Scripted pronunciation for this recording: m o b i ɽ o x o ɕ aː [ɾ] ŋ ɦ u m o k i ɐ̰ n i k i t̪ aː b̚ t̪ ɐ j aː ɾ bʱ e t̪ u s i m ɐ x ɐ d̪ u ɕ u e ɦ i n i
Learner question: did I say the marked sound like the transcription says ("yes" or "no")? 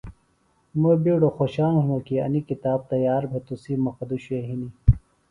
no